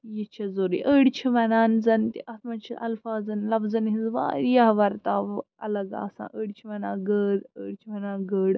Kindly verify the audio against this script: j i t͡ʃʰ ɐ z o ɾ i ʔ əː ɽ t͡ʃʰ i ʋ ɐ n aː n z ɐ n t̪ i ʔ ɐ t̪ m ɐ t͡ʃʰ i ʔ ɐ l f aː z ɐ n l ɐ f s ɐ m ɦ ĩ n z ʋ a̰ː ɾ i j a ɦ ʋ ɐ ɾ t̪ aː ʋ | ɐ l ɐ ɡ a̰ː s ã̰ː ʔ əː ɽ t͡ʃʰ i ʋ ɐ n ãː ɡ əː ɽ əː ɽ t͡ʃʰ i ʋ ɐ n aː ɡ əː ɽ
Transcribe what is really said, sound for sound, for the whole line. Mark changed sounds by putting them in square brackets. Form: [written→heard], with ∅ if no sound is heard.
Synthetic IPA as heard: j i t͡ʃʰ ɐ z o ɾ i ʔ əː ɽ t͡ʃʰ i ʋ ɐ n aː n z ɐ n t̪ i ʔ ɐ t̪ m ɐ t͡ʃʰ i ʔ ɐ l f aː z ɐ n l ɐ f [s→z] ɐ [m→n] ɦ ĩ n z ʋ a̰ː ɾ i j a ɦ ʋ ɐ ɾ t̪ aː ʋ | ɐ l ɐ ɡ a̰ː s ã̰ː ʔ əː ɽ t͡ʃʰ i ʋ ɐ n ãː ɡ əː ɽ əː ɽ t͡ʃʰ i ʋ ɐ n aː ɡ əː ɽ